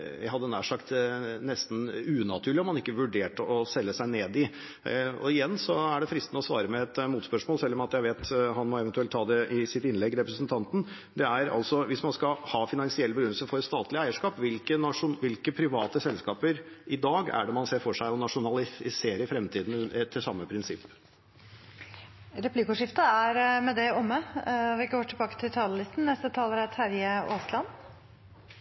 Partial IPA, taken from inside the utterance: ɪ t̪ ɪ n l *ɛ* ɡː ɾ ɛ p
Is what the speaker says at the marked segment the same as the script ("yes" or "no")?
yes